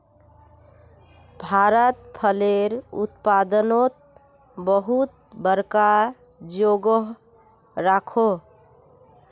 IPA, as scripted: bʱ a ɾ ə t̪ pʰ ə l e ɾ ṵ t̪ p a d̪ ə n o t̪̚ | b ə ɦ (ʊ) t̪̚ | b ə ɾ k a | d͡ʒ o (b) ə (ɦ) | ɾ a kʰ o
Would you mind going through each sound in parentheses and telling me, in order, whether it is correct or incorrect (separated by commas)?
incorrect, incorrect, correct